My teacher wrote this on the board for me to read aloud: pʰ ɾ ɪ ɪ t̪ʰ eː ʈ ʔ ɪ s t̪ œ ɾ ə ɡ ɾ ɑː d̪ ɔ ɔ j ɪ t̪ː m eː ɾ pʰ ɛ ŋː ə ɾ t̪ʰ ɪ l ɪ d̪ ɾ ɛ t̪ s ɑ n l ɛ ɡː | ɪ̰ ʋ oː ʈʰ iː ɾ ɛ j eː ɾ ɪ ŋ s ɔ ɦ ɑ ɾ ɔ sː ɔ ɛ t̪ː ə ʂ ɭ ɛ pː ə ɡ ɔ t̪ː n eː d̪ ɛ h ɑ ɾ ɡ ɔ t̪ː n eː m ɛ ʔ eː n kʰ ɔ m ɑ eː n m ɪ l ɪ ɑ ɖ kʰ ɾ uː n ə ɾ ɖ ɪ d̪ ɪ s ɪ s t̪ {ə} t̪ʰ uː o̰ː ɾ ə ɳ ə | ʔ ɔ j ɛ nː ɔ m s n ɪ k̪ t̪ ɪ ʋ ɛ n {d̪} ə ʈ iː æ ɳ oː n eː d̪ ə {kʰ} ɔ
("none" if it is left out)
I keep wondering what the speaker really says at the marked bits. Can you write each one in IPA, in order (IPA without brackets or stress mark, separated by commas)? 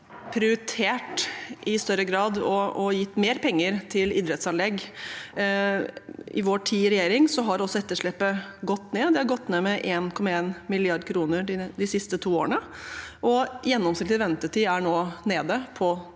ə, t̪, pʰ